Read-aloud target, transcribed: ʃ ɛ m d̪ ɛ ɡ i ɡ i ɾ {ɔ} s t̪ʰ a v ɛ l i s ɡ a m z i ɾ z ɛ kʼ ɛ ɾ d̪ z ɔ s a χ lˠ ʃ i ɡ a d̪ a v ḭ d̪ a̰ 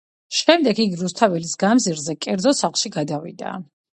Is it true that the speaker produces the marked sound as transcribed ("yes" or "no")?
no